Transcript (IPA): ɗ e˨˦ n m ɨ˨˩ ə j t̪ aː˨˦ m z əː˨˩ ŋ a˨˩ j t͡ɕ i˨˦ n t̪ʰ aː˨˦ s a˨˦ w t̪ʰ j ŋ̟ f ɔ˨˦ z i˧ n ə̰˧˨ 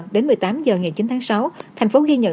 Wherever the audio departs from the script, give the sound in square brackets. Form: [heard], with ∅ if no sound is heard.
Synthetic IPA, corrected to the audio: ɗ e˨˦ n m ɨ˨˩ ə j t̪ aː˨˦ m z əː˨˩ ŋ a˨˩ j t͡ɕ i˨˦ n t̪ʰ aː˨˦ s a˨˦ w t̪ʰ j ŋ̟ f [o˨˦] z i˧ [ɲ] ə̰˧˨

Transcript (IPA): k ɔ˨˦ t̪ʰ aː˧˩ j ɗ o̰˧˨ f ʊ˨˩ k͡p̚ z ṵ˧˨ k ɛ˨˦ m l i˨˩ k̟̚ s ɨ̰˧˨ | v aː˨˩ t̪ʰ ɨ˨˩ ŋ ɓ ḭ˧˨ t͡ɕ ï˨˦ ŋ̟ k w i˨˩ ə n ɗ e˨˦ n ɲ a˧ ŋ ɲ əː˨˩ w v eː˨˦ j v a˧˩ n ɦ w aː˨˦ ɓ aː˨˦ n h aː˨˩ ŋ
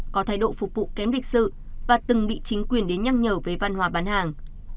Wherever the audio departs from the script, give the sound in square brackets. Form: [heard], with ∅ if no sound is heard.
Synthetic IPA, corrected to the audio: k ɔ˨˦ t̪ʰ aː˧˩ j ɗ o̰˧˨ f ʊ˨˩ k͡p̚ [v] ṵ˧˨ k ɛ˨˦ m l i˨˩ k̟̚ s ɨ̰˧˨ | v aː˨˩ [t̪] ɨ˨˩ ŋ ɓ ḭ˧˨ t͡ɕ ï˨˦ ŋ̟ k w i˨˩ ə n ɗ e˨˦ n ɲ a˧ ŋ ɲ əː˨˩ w v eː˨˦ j v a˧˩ n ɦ w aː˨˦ ɓ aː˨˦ n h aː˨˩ ŋ

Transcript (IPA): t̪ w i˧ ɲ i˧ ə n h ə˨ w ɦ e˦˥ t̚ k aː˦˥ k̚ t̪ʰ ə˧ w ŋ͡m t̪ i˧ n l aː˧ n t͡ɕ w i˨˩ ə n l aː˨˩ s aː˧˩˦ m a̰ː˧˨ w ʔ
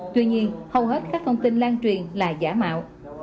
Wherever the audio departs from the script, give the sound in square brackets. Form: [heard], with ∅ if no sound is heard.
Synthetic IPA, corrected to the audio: t̪ w i˧ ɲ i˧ ə n h ə˨ w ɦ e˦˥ t̚ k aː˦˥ k̚ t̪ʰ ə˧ w ŋ͡m t̪ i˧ n l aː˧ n t͡ɕ w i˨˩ ə n l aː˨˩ [z] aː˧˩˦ m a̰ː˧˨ w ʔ

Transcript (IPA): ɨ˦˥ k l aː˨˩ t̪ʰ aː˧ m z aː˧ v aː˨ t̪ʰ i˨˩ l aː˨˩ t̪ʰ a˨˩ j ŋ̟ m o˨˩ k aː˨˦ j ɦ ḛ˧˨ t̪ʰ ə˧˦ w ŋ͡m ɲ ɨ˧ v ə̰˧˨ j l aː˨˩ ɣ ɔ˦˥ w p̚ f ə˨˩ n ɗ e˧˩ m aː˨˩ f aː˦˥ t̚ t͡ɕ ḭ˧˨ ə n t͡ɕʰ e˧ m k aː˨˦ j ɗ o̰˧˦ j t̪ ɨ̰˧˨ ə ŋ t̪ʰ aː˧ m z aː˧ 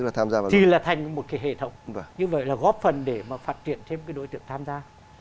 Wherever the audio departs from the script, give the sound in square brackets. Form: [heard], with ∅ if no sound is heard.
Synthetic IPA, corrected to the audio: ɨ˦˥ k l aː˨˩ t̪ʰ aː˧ m z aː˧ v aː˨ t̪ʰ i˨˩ l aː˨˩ t̪ʰ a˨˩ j ŋ̟ m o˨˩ k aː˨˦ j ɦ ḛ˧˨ t̪ʰ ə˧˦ w ŋ͡m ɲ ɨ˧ v ə̰˧˨ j l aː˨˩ ɣ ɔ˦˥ [∅] p̚ f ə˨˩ n ɗ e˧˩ m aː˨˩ f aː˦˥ t̚ t͡ɕ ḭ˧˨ ə n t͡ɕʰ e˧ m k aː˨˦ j ɗ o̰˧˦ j t̪ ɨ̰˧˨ ə ŋ t̪ʰ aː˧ m z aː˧

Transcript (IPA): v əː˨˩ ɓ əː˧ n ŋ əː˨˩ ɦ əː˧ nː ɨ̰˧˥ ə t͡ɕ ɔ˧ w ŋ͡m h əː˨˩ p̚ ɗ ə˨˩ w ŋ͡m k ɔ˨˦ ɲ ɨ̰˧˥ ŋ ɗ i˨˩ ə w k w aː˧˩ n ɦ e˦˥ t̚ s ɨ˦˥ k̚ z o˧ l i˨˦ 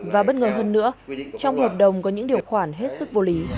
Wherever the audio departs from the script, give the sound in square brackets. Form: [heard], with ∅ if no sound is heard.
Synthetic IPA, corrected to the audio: v [aː˨˩] ɓ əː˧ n ŋ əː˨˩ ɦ əː˧ nː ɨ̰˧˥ ə t͡ɕ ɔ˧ w ŋ͡m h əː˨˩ p̚ ɗ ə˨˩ w ŋ͡m k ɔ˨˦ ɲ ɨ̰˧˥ ŋ ɗ i˨˩ ə w [x] w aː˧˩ n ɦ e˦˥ t̚ s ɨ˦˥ k̚ [v] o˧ l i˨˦

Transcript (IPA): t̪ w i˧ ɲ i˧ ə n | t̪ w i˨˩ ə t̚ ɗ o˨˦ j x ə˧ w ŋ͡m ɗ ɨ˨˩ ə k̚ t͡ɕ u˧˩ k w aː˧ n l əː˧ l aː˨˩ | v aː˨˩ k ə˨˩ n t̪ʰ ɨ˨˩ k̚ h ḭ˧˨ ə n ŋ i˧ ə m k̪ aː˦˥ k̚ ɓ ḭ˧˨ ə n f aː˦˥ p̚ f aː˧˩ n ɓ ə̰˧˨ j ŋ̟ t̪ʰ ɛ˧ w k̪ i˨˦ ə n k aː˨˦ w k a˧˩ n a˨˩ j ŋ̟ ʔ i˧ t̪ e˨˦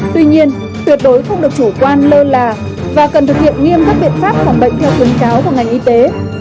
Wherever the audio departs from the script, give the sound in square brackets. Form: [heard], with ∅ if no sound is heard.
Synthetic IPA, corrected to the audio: t̪ w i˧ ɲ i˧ ə n | t̪ w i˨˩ ə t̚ ɗ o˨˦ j x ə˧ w ŋ͡m ɗ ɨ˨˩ ə k̚ t͡ɕ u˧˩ k w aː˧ n l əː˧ l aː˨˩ | v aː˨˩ k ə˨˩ n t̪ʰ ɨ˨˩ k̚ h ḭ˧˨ ə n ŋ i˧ ə m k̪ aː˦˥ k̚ ɓ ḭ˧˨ ə n f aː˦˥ p̚ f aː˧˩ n ɓ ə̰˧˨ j ŋ̟ t̪ʰ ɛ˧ w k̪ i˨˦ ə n k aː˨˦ w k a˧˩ [ŋ] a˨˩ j ŋ̟ ʔ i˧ t̪ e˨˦

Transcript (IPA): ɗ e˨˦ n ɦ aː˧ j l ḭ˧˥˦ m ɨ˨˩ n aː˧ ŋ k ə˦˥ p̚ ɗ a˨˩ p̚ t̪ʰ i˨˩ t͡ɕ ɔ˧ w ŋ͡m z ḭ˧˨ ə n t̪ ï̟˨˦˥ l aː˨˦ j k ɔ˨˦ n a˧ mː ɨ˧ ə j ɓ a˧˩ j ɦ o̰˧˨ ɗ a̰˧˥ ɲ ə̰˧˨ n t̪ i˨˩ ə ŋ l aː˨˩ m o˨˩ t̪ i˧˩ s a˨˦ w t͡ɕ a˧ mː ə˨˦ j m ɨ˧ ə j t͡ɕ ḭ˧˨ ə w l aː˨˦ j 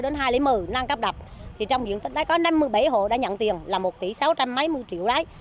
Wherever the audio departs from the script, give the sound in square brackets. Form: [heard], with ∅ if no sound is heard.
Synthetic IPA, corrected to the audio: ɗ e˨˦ n ɦ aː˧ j l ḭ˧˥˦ m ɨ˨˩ n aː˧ ŋ k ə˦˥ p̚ ɗ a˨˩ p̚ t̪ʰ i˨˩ t͡ɕ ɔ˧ w ŋ͡m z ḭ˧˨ ə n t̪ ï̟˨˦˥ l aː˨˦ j k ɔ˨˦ n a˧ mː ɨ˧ ə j ɓ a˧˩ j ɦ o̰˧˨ ɗ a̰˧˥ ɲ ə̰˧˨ n t̪ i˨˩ ə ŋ l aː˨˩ m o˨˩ t̪ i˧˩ s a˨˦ w t͡ɕ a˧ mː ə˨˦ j m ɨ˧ ə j t͡ɕ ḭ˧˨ ə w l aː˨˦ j

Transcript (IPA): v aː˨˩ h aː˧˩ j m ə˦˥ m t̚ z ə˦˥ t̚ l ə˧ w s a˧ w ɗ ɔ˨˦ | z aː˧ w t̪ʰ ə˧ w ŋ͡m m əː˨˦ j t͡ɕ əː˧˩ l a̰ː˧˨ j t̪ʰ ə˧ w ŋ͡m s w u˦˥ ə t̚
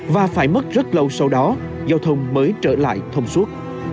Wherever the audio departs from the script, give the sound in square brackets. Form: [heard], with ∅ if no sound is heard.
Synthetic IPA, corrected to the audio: v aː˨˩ [f] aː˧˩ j m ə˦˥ [∅] t̚ z ə˦˥ t̚ l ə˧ w s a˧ w ɗ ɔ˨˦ | z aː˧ w t̪ʰ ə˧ w ŋ͡m m əː˨˦ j t͡ɕ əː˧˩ l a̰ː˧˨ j t̪ʰ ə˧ w ŋ͡m s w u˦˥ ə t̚

